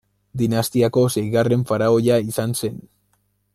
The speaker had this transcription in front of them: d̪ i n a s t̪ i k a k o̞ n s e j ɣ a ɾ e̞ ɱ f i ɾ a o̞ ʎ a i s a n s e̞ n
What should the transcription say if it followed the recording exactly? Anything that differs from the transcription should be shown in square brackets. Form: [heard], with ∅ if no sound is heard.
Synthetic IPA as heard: d̪ i n a s t̪ i [∅] a k o̞ [∅] s e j ɣ a [r] e̞ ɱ f [a] ɾ a o̞ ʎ a i s a n s e̞ n